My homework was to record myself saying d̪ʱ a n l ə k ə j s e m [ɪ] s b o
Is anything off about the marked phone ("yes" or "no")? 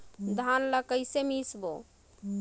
yes